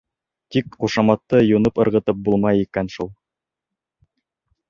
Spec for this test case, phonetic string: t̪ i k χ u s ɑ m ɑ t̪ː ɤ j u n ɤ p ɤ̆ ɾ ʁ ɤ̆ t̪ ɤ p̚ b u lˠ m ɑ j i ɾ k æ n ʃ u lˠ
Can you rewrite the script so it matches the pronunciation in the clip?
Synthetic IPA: t̪ i k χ u ʃ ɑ m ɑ t̪ː ɤ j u n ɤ p ɤ̆ ɾ ʁ ɤ̆ t̪ ɤ p̚ b u lˠ m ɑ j i k æ n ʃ u lˠ

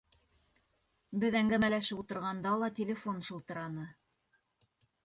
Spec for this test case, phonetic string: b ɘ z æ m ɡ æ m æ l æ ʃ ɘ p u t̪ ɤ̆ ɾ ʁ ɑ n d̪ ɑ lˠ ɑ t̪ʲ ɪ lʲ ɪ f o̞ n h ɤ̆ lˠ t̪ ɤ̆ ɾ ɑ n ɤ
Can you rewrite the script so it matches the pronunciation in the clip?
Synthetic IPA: b ɘ ð æ ŋ ɡ æ m æ l æ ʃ ɘ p u t̪ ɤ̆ ɾ ʁ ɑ n d̪ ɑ lˠ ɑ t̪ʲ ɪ lʲ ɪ f o̞ n ʃ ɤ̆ lˠ t̪ ɤ̆ ɾ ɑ n ɤ

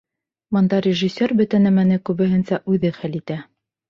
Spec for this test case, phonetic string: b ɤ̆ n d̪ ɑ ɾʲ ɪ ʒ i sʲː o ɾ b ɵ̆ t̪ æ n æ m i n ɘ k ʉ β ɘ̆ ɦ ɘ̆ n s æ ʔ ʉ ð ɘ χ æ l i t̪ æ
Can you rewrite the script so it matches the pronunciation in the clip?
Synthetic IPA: b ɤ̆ n d̪ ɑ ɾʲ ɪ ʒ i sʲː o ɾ b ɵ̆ t̪ æ n æ m æ n ɘ k ʉ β ɘ̆ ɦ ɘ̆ n s æ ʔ ʉ ð ɘ χ æ l i t̪ æ

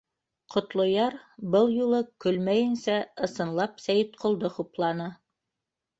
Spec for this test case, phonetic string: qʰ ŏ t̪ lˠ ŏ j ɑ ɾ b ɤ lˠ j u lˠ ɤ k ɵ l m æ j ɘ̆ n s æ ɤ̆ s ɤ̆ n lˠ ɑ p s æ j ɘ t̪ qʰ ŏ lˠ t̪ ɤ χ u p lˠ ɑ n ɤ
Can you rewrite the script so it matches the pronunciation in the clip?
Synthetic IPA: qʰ ŏ t̪ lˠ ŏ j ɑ ɾ b ɤ lˠ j u lˠ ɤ k ɵ l m æ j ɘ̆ n s æ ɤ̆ s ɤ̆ n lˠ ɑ p s æ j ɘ t̪ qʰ ŏ lˠ d̪ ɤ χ u p lˠ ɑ n ɤ

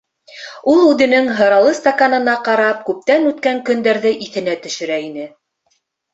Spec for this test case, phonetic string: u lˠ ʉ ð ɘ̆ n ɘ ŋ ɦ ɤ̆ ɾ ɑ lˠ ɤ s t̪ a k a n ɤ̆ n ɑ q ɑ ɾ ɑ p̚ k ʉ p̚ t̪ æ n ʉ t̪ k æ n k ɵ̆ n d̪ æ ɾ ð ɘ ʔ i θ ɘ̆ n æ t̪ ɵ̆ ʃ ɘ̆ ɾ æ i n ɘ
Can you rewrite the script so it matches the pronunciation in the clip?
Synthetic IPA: u lˠ ʉ ð ɘ̆ n ɘ ŋ ɦ ɤ̆ ɾ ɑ lˠ ɤ s t̪ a k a n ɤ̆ n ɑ q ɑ ɾ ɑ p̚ k ʉ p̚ t̪ æ n ʉ t̪ k æ ŋ k ɵ̆ n d̪ æ ɾ ð ɘ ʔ i θ ɘ̆ n æ t̪ ɵ̆ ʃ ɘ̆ ɾ æ i n ɘ

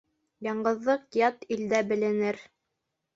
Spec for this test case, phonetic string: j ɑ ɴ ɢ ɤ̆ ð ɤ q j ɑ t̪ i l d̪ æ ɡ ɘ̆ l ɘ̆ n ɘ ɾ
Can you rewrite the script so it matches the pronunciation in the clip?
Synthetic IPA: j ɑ ɴ ɢ ɤ̆ ðː ɤ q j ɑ t̪ i l d̪ æ b ɘ̆ l ɘ̆ n ɘ ɾ

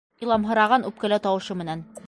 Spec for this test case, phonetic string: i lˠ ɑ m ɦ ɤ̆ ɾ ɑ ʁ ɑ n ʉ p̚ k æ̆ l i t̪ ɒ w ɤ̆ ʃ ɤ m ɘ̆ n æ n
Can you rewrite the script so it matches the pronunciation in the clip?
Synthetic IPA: i lˠ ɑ m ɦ ɤ̆ ɾ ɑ ʁ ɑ n ʉ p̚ k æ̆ l æ t̪ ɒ w ɤ̆ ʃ ɤ m ɘ̆ n æ n

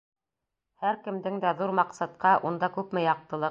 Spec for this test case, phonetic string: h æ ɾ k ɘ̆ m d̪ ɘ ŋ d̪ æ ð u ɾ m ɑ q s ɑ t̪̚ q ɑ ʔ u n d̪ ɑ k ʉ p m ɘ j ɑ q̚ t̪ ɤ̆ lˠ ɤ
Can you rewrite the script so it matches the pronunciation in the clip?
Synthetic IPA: h æ ɾ k ɘ̆ m d̪ ɘ ŋ d̪ æ ð u ɾ m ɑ q s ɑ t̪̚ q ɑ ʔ u n d̪ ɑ k ʉ p m ɘ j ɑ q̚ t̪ ɤ̆ lˠ ɤ

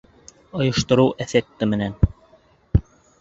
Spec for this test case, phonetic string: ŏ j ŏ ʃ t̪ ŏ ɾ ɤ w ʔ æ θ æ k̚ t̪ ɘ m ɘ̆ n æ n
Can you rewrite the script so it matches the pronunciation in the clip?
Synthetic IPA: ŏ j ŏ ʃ t̪ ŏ ɾ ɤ w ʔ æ θ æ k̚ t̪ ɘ m ɘ̆ n æ n

